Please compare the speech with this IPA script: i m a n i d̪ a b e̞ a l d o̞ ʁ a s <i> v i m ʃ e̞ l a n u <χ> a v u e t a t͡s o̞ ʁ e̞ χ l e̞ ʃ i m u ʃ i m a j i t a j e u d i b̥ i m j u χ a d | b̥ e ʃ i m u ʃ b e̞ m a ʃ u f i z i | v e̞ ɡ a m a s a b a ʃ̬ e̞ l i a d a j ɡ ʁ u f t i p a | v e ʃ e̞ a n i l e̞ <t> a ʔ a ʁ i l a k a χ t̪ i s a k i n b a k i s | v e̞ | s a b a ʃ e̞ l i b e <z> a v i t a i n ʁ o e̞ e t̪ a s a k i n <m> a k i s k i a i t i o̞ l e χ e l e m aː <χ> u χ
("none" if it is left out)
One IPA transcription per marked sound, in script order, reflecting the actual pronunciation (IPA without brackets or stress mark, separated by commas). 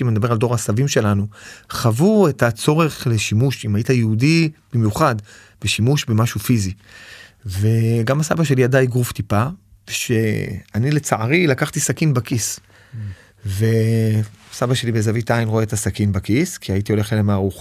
a, χ, t͡s, z, b, ʁ